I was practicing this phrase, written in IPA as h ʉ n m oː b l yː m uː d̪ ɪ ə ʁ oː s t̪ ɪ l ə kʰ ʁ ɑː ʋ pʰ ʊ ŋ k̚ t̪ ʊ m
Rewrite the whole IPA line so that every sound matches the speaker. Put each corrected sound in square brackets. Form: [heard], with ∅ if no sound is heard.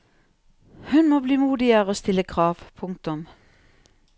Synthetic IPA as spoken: h ʉ n m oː b l [iː] m uː d̪ ɪ ə ʁ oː s t̪ ɪ l ə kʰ ʁ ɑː ʋ pʰ ʊ ŋ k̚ t̪ ʊ m